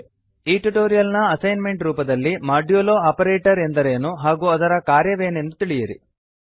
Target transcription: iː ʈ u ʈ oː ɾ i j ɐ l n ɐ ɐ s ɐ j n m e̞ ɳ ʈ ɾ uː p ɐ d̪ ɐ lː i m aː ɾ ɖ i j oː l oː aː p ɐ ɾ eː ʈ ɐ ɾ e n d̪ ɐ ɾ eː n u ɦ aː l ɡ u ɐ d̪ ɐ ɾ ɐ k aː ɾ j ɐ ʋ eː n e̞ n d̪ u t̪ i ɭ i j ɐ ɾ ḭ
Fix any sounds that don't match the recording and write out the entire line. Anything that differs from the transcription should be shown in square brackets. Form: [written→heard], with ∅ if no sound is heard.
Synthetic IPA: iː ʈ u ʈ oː ɾ i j ɐ l n ɐ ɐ s ɐ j n m e̞ ɳ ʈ ɾ uː p ɐ d̪ ɐ lː i m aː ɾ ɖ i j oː l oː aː p ɐ ɾ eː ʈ ɐ ɾ e n d̪ ɐ ɾ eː n u ɦ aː [l→∅] ɡ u ɐ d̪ ɐ ɾ ɐ k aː ɾ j ɐ ʋ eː n e̞ n d̪ u t̪ i ɭ i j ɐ ɾ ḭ